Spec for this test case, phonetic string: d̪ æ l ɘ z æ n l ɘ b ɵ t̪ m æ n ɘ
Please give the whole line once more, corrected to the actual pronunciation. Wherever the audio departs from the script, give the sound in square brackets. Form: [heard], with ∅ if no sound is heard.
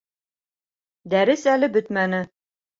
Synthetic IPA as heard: d̪ æ [ɾ] ɘ [s] æ [∅] l ɘ b ɵ t̪ m æ n ɘ

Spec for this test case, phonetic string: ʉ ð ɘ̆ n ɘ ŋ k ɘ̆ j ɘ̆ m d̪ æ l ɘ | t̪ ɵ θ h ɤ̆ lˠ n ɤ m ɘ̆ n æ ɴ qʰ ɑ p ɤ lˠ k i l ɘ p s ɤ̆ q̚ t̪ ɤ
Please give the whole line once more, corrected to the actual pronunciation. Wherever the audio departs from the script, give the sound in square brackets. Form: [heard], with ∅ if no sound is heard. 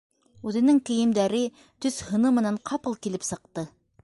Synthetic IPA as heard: ʉ ð ɘ̆ n ɘ ŋ k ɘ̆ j ɘ̆ m d̪ æ [ɾ] ɘ | t̪ ɵ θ h ɤ̆ [∅] n ɤ m ɘ̆ n æ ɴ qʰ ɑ p ɤ lˠ k i l ɘ p s ɤ̆ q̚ t̪ ɤ

